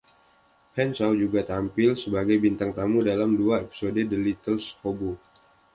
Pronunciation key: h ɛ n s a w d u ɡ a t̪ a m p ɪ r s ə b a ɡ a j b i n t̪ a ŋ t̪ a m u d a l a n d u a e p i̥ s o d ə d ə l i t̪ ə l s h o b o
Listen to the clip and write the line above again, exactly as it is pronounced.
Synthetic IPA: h ɛ n s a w d͡ʒ u ɡ a t̪ a m p ɪ l s ə b a ɡ a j b i n t̪ a ŋ t̪ a m u d a l a m d u a e p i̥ s o d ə d ə l i t̪ ə l s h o b o